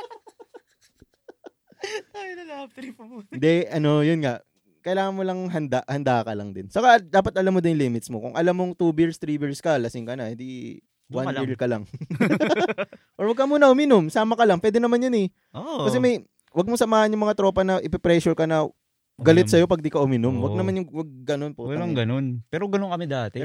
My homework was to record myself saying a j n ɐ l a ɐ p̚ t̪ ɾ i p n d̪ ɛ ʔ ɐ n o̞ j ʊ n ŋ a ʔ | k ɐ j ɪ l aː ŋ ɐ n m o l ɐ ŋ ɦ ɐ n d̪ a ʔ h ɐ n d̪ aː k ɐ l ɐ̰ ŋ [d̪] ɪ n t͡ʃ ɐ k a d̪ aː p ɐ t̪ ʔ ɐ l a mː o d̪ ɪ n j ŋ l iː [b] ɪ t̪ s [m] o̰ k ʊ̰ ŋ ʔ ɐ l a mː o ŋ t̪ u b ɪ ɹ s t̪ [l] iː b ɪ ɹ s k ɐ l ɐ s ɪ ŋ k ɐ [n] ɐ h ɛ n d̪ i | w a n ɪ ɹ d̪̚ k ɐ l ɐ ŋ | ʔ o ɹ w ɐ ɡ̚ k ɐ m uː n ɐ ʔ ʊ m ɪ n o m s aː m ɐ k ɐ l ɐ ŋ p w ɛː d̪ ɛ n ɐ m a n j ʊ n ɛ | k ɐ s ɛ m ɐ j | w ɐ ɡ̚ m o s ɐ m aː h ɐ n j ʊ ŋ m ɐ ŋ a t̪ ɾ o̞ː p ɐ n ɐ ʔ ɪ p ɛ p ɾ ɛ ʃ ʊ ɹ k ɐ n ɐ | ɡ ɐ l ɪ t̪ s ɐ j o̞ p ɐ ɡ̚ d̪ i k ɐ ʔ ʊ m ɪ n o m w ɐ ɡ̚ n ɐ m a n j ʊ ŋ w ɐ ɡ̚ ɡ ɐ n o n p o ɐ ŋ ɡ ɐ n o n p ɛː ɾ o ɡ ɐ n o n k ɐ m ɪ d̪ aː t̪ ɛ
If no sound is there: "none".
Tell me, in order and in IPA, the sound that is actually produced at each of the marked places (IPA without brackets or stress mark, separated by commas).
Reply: d̪, m, m, ɾ, n